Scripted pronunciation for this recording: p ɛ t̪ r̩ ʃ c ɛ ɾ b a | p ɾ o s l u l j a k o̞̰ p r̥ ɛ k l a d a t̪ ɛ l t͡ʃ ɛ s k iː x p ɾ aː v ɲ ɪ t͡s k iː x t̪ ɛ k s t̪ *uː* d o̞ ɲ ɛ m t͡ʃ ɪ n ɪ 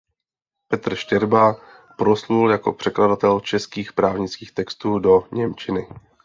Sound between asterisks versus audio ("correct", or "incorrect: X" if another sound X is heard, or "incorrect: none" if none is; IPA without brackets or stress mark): correct